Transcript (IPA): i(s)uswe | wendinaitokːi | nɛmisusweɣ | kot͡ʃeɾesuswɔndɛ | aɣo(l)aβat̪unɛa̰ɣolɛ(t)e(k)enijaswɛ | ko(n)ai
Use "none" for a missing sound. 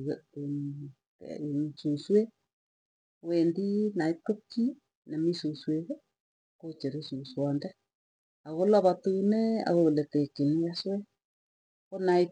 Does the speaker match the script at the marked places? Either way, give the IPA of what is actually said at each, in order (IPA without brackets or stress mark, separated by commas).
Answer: s, l, t, k, n